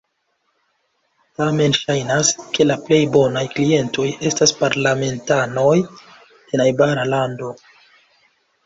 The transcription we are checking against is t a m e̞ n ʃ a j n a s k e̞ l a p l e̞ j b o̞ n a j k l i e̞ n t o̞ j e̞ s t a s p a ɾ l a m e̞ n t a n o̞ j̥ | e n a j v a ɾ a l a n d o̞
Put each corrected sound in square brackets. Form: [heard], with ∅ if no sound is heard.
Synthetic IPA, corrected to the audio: t a m e̞ n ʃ a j n a s k e̞ l a p l e̞ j b o̞ n a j k l i e̞ n t o̞ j e̞ s t a s p a ɾ l a m e̞ n t a n o̞ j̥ | e n a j [b] a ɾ a l a n d o̞

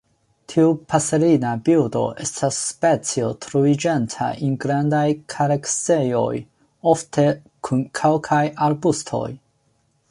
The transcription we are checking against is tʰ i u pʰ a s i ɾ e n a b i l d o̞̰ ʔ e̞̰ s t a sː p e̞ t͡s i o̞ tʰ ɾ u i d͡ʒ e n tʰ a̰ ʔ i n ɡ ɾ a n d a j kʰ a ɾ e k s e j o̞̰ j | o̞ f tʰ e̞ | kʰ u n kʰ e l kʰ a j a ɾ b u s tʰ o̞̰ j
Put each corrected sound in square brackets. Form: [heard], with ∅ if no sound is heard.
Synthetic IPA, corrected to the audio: tʰ i u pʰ a s [e] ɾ [i] n a b i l d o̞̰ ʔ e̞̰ s t a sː p e̞ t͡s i o̞ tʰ ɾ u i d͡ʒ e n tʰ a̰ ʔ i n ɡ ɾ a n d a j kʰ a ɾ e k s e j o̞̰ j | o̞ f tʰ e̞ | kʰ u n kʰ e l kʰ a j a ɾ b u s tʰ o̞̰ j

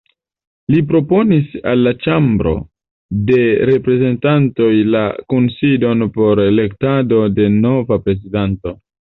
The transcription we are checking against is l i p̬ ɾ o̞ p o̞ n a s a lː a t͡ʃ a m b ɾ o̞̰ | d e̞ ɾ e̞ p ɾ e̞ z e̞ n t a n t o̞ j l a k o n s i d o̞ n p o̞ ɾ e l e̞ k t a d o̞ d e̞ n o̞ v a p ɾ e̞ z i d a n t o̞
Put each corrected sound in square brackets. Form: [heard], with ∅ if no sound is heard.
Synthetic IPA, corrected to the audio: l i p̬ ɾ o̞ p o̞ n [i] s a lː a t͡ʃ a m b ɾ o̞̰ | d e̞ ɾ e̞ p ɾ e̞ z e̞ n t a n t o̞ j l a k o n s i d o̞ n p o̞ ɾ e l e̞ k t a d o̞ d e̞ n o̞ v a p ɾ e̞ z i d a n t o̞

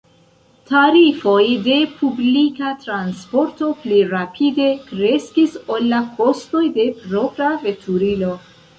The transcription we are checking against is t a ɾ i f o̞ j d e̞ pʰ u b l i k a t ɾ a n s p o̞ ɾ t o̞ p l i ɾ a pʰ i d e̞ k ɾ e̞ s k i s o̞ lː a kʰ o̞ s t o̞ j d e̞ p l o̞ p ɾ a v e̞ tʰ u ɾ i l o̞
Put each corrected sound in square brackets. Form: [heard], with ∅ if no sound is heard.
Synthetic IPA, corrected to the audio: t a ɾ i f o̞ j d e̞ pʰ u b l i k a t ɾ a n s p o̞ ɾ t o̞ p l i ɾ a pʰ i d e̞ k ɾ e̞ s k i s o̞ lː a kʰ o̞ s t o̞ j d e̞ p [ɾ] o̞ p ɾ a v e̞ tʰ u ɾ i l o̞

